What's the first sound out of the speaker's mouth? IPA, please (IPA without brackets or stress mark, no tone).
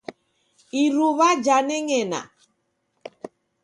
i